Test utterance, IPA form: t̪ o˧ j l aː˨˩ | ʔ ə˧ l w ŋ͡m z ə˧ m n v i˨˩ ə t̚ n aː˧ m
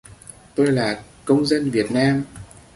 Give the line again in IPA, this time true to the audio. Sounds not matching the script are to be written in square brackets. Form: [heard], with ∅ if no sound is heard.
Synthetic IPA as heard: t̪ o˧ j l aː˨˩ | [k] ə˧ [∅] w ŋ͡m z ə˧ [∅] n v i˨˩ ə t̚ n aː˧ m